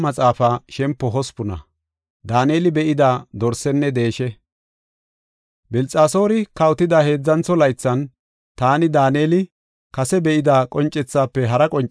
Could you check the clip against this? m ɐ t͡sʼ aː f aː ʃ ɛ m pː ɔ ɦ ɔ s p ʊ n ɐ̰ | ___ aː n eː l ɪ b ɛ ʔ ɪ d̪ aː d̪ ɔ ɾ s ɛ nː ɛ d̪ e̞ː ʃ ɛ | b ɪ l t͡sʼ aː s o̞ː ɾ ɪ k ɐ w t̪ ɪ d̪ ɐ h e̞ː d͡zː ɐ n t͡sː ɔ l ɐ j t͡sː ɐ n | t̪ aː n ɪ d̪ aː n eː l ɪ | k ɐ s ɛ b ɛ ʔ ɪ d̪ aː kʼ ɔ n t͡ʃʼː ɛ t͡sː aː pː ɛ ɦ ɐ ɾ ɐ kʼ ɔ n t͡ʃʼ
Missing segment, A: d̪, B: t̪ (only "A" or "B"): A